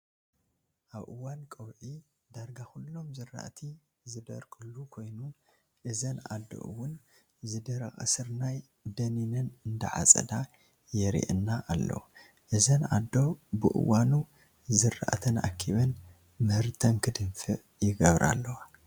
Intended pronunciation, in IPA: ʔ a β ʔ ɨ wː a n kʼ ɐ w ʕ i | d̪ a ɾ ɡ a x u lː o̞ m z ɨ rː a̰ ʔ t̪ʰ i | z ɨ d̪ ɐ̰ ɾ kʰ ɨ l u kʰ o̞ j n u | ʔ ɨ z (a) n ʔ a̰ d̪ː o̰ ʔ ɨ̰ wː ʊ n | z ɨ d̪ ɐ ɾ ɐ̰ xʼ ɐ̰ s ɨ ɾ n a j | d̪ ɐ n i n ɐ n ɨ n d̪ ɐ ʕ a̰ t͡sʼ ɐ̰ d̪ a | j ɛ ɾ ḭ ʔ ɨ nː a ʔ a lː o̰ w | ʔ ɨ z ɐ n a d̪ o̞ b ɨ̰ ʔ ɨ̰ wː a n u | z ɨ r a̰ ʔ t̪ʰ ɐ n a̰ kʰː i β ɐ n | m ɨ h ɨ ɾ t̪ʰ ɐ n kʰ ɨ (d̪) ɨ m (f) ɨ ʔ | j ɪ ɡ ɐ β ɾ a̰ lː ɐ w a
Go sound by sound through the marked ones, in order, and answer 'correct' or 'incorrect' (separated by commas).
incorrect, correct, correct